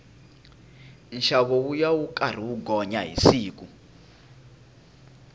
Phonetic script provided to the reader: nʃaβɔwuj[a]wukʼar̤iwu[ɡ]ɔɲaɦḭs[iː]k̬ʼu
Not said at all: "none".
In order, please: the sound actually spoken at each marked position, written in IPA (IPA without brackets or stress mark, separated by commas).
a, ɡ, iː